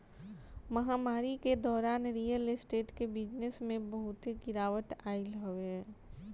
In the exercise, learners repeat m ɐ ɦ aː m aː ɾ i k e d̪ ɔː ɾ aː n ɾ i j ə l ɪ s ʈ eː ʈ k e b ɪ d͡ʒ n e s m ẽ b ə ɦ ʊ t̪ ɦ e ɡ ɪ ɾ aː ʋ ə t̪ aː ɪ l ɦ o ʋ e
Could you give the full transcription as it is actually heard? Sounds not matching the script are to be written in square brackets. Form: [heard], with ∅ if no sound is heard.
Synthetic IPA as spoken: m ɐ ɦ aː m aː ɾ i k e d̪ ɔː ɾ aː n ɾ i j ə l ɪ s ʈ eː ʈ k e b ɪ d͡ʒ n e s m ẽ b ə ɦ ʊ t̪ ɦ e ɡ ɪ ɾ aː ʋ ə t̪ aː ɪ l ɦ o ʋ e